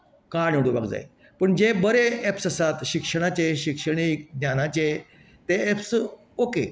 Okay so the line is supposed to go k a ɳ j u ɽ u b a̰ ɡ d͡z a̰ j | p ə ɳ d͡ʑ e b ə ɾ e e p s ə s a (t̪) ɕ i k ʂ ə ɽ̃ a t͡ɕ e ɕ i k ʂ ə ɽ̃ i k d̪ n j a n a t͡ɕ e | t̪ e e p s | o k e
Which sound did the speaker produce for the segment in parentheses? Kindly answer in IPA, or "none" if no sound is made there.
t̪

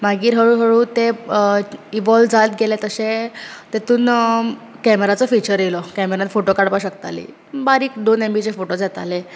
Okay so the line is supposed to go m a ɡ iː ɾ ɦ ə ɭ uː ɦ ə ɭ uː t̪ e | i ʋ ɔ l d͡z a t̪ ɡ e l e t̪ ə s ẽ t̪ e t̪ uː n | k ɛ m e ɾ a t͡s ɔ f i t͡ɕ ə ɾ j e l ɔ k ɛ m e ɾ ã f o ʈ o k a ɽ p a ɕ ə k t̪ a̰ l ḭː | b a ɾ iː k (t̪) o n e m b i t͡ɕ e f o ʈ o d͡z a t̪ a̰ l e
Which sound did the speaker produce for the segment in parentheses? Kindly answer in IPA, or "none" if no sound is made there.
d̪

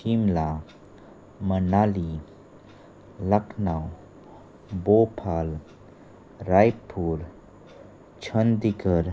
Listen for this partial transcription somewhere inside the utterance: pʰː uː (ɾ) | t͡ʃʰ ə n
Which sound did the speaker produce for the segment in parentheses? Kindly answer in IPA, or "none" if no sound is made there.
ɾ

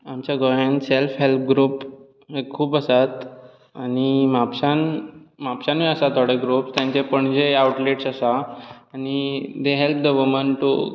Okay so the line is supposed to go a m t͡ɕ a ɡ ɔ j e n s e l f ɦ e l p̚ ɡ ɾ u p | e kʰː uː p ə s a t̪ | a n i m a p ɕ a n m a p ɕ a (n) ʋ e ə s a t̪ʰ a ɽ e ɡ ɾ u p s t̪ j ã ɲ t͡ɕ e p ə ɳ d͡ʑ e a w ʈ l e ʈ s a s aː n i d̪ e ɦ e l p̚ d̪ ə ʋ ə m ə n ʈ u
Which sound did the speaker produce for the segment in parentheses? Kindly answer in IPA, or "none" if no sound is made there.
n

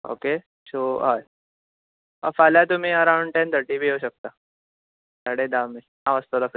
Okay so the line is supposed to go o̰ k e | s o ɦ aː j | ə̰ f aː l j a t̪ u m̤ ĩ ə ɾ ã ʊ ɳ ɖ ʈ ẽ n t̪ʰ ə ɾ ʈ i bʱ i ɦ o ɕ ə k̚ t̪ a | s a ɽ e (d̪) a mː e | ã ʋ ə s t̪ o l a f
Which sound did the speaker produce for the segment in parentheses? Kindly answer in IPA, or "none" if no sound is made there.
d̪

